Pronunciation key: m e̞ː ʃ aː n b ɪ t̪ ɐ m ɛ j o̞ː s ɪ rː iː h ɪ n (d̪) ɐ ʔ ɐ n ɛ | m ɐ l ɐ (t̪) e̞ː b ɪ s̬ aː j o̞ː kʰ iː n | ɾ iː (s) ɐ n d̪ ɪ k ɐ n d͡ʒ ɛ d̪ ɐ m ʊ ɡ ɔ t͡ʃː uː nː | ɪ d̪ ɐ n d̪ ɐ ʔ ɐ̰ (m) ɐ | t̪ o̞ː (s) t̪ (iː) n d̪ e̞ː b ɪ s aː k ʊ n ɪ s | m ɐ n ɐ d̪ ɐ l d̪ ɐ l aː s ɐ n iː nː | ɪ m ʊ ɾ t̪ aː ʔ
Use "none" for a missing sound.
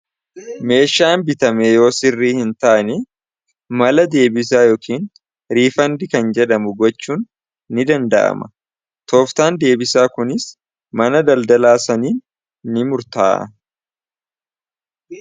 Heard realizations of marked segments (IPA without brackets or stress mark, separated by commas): t̪, d̪, f, m, f, aː